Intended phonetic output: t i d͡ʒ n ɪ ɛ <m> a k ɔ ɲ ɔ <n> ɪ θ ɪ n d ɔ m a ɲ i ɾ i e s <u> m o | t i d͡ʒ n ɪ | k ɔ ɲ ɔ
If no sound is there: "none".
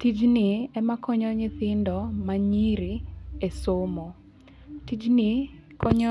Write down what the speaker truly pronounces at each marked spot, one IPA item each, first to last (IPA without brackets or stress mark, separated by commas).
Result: m, ɲ, o